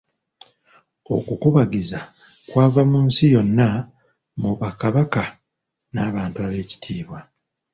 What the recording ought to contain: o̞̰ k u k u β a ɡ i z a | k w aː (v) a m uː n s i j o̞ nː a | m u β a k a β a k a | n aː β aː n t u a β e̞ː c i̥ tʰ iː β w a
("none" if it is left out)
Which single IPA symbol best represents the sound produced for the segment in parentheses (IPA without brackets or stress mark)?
v